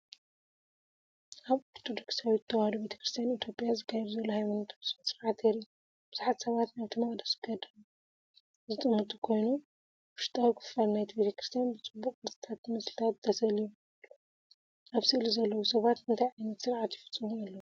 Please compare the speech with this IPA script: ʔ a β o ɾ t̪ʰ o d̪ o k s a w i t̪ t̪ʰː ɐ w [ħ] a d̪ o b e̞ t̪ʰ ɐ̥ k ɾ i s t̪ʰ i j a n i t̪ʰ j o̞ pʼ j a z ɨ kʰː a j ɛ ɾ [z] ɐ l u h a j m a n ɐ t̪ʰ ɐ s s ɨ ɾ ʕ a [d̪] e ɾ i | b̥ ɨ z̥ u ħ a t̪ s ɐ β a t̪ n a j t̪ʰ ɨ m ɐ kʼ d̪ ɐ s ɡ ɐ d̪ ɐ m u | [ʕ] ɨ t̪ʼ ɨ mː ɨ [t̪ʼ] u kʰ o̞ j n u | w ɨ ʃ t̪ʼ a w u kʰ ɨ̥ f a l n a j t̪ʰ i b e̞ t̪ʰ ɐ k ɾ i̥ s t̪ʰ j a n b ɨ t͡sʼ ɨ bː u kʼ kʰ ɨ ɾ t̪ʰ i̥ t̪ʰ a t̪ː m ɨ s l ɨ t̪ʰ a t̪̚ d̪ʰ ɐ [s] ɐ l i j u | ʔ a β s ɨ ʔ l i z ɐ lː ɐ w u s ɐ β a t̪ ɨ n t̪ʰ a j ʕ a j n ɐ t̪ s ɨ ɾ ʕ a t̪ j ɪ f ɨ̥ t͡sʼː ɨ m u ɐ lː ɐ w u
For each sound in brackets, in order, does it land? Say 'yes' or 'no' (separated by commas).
no, yes, no, no, yes, yes